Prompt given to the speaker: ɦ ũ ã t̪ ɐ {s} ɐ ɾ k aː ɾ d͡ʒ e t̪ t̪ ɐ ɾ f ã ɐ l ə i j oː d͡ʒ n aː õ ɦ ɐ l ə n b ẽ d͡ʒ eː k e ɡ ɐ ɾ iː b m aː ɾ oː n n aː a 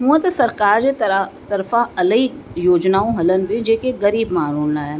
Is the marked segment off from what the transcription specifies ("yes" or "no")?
no